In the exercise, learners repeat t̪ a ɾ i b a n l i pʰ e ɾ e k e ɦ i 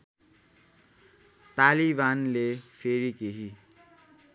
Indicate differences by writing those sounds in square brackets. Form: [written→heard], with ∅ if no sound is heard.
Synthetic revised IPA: t̪ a [ɾ→l] i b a n l [i→e] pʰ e ɾ [e→i] k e ɦ i